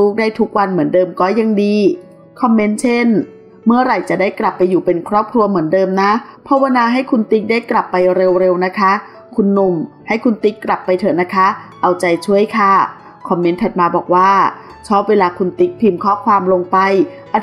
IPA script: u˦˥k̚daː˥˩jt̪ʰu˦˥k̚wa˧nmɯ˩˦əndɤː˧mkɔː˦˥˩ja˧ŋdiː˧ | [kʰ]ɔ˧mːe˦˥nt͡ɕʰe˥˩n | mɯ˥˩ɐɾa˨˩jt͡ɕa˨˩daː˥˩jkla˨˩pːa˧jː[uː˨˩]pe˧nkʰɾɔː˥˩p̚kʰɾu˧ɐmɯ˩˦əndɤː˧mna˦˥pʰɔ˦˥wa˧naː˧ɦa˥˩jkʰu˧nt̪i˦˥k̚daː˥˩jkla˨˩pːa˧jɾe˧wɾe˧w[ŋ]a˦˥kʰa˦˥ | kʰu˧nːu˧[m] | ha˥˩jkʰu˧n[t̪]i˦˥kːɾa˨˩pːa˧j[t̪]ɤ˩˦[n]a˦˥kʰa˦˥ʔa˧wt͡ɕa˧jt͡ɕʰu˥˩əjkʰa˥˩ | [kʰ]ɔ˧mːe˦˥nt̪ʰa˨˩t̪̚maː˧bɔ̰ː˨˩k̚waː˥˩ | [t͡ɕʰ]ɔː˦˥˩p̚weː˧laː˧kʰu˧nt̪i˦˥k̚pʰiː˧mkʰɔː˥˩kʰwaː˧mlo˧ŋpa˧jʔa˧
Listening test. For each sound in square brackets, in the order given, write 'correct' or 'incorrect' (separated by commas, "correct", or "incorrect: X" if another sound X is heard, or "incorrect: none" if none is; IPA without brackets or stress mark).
correct, correct, incorrect: n, correct, correct, incorrect: t̪ʰ, correct, correct, correct